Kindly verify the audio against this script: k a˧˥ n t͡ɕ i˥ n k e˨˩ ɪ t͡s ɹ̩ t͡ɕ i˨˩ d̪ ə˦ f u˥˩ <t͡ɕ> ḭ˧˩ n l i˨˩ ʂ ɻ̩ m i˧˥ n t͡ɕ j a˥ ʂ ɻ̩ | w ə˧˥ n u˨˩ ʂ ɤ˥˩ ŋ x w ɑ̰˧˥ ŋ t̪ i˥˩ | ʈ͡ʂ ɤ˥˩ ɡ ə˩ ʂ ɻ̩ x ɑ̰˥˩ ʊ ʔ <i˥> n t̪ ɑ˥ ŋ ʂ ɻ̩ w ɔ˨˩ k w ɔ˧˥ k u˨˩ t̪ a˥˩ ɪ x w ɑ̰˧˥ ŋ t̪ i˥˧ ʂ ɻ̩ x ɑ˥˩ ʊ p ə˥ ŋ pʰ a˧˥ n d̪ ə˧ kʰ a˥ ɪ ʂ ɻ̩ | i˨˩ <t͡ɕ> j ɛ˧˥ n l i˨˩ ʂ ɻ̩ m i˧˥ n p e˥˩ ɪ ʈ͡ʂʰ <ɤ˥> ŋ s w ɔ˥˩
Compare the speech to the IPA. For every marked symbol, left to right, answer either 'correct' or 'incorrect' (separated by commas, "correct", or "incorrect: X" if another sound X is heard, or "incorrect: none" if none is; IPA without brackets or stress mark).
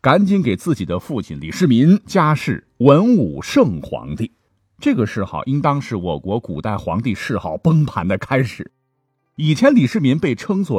incorrect: t͡ɕʰ, correct, incorrect: t͡ɕʰ, correct